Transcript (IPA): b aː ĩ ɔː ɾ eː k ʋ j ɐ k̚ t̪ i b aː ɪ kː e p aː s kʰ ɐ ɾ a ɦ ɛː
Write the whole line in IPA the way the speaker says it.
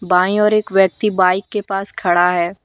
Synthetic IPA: b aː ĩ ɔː ɾ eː k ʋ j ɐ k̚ t̪ i b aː ɪ kː e p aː s kʰ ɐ ɽ a ɦ ɛː